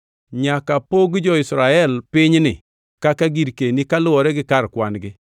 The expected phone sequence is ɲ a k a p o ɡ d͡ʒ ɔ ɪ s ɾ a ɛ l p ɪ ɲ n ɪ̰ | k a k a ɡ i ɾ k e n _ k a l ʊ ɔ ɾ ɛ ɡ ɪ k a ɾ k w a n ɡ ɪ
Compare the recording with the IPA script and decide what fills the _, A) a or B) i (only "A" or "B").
B